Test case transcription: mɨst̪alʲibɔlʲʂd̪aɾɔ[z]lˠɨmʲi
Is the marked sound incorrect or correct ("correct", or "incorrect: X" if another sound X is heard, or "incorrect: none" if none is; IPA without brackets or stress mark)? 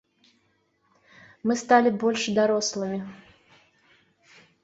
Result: incorrect: s